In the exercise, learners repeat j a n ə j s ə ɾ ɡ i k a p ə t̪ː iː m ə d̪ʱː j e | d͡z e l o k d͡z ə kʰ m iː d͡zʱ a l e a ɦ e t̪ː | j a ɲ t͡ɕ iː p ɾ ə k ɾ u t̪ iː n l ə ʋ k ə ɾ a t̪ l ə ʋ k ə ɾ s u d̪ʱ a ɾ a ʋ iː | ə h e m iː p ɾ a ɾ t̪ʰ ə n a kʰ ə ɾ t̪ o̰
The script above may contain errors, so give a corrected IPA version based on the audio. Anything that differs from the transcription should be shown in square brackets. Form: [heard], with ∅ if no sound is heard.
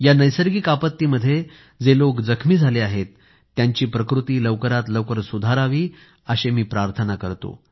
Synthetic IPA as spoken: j a n ə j s ə ɾ ɡ i k a p ə t̪ː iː m ə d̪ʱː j e | d͡z e l o k d͡z ə kʰ m iː d͡zʱ a l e a ɦ e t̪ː | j a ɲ t͡ɕ iː p ɾ ə k ɾ u t̪ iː [∅] l ə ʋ k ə ɾ a t̪ l ə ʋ k ə ɾ s u d̪ʱ a ɾ a ʋ iː | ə [ɕ] e m iː p ɾ a ɾ t̪ʰ ə n a [k] ə ɾ t̪ o̰